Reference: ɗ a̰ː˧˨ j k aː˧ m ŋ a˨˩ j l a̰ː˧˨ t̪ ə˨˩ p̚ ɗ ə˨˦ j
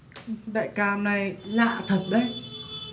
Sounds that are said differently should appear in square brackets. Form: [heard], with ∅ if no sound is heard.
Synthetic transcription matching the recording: ɗ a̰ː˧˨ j k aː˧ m [n] a˨˩ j l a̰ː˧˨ [t̪ʰ] ə˨˩ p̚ ɗ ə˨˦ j

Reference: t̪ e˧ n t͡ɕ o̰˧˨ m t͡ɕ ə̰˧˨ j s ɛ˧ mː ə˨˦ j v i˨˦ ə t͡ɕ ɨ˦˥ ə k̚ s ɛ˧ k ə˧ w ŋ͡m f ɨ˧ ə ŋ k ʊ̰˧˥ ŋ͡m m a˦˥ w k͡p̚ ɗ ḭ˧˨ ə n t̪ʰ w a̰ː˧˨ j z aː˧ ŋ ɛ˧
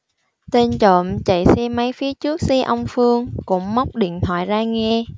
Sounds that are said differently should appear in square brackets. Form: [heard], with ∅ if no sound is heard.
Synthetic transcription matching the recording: t̪ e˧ n t͡ɕ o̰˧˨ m t͡ɕ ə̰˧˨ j s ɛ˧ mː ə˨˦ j [f] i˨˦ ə t͡ɕ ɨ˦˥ ə k̚ s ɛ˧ [ʔ] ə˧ w ŋ͡m f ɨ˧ ə ŋ k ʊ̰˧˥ ŋ͡m m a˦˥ w k͡p̚ ɗ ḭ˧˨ ə n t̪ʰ w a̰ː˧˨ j z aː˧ ŋ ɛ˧

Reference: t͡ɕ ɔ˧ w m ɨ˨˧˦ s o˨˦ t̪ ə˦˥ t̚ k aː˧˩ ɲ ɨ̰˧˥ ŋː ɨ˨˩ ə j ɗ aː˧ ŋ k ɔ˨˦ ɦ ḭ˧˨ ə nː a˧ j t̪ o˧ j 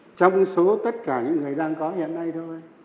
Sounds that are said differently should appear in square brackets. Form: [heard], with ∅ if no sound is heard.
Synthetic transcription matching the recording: t͡ɕ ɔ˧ w [ŋ͡m] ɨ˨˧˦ s o˨˦ t̪ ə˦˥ t̚ k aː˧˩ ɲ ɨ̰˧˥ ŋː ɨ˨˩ ə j ɗ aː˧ ŋ k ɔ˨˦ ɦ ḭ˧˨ ə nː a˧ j [t̪ʰ] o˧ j

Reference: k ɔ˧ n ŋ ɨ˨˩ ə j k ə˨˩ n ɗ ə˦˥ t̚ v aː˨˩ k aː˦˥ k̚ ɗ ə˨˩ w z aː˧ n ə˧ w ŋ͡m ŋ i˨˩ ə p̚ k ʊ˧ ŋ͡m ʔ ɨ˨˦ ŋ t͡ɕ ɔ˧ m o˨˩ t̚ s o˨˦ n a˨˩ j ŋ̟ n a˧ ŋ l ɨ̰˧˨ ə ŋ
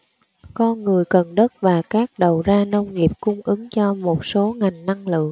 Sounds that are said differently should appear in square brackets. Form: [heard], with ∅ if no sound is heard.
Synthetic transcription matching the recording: k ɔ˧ n ŋ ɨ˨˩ ə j k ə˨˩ n ɗ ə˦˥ t̚ v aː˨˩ k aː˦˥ k̚ ɗ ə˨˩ w z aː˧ n ə˧ w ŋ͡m ŋ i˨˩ ə p̚ k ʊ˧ ŋ͡m ʔ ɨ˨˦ ŋ t͡ɕ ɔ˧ m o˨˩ t̚ s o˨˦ [ŋ] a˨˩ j ŋ̟ n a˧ ŋ l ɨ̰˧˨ ə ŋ

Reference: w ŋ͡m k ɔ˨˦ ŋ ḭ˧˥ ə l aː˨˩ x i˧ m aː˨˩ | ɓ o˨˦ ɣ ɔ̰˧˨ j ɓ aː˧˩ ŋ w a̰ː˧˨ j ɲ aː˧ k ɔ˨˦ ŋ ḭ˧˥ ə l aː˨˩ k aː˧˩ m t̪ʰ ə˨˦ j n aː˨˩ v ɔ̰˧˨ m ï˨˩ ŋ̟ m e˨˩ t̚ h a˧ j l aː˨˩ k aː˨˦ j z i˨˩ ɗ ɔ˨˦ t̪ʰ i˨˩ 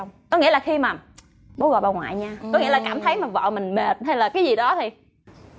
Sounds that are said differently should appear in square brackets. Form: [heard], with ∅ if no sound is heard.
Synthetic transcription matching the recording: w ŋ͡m k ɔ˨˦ ŋ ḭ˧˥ ə l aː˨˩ x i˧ m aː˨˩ | ɓ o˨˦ ɣ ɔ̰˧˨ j ɓ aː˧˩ ŋ w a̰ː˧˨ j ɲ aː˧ k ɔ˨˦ ŋ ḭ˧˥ ə l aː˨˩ k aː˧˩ m t̪ʰ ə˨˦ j [m] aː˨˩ v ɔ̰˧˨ m ï˨˩ ŋ̟ m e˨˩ t̚ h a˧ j l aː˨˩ k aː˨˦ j z i˨˩ ɗ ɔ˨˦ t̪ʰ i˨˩

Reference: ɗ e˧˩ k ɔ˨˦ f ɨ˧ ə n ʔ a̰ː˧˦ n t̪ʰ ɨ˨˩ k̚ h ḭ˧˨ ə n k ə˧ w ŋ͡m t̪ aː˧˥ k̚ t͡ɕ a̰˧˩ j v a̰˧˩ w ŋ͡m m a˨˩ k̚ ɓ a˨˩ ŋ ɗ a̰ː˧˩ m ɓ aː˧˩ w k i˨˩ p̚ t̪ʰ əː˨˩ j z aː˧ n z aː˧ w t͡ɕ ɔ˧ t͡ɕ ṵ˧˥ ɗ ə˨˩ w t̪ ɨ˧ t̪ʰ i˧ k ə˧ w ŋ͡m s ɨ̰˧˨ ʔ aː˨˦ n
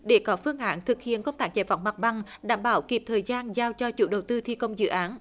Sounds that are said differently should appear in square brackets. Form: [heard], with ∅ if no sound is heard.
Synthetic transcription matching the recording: ɗ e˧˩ k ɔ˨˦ f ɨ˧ ə [ŋ] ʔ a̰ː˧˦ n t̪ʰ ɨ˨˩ k̚ h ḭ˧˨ ə n k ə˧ w ŋ͡m t̪ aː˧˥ k̚ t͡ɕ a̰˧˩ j v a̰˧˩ w ŋ͡m m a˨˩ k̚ ɓ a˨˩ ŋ ɗ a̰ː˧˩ m ɓ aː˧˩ w k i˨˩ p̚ t̪ʰ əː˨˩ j z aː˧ n z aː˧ w t͡ɕ ɔ˧ t͡ɕ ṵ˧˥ ɗ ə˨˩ w t̪ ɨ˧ t̪ʰ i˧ k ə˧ w ŋ͡m [z] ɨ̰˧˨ ʔ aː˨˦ n

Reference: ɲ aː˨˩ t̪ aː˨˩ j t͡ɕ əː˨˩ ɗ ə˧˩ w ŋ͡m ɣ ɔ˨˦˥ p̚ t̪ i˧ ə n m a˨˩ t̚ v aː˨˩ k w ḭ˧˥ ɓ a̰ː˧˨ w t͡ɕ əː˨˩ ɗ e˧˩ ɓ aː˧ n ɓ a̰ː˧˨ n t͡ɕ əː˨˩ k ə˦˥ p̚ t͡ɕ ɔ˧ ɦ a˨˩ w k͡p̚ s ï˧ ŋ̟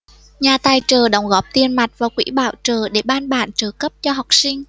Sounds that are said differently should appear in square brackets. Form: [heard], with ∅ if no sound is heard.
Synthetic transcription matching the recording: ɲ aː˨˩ t̪ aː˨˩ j t͡ɕ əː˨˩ ɗ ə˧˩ w ŋ͡m ɣ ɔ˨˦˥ p̚ t̪ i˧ ə n m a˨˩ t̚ v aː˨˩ k w ḭ˧˥ ɓ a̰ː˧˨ w t͡ɕ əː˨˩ ɗ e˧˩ ɓ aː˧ n ɓ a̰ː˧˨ n t͡ɕ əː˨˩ k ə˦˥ p̚ t͡ɕ ɔ˧ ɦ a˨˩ w k͡p̚ s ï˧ ŋ̟

